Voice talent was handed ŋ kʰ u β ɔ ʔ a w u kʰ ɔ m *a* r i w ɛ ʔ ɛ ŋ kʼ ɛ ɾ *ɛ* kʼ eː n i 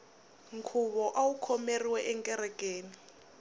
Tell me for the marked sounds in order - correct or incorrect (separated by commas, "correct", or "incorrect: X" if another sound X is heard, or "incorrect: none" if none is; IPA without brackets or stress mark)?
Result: incorrect: e, correct